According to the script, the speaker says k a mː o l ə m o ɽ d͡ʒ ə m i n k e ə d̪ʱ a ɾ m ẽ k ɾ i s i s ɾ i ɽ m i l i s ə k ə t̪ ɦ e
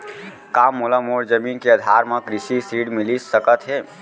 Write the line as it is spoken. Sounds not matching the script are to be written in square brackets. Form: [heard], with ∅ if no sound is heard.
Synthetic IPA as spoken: k a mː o l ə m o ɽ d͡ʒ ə m i n k e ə d̪ʱ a ɾ m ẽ k ɾ i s i s ɾ i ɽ m i l i s ə k ə t̪ ɦ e